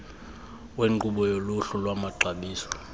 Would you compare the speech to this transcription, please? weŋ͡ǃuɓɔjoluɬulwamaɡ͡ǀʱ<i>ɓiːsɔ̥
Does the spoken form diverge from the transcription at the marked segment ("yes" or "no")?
yes